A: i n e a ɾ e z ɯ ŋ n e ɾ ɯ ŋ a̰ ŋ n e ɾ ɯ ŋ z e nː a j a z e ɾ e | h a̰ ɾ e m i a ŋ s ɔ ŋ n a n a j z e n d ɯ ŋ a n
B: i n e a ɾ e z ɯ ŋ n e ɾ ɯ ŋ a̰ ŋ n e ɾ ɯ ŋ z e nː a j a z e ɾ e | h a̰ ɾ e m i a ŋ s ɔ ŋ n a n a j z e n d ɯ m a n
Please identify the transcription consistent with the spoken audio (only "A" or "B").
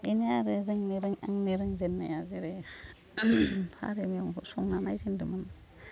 B